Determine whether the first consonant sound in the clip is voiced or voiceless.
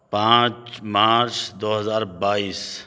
voiceless